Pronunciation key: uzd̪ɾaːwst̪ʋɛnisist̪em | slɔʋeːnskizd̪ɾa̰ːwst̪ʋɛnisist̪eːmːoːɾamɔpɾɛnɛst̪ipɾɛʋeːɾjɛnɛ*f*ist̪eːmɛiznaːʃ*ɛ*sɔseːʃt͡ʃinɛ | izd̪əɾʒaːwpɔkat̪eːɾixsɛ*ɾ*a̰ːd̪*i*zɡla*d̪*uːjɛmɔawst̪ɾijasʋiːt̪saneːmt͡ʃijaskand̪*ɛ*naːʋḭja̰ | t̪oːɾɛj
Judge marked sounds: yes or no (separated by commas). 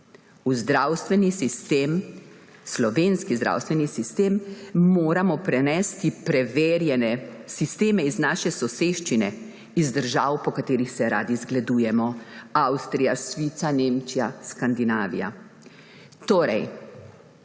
no, yes, yes, yes, yes, no